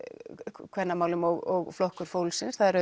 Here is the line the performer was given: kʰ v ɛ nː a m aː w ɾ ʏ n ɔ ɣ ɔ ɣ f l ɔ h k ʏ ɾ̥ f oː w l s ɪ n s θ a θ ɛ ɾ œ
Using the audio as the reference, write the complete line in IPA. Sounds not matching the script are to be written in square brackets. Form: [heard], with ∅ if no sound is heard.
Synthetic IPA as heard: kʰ v ɛ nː a m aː w [l] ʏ [m] ɔ ɣ ɔ ɣ f l ɔ h k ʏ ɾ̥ f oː w l s ɪ n s θ a [ð] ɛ ɾ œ